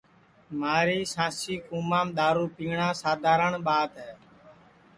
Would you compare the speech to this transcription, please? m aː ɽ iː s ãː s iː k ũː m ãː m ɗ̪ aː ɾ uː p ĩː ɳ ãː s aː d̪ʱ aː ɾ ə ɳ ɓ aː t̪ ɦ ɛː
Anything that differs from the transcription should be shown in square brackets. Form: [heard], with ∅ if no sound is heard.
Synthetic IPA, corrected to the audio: m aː [ɾ] iː s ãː s iː k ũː m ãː m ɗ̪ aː ɾ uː p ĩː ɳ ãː s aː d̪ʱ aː ɾ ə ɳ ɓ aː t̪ ɦ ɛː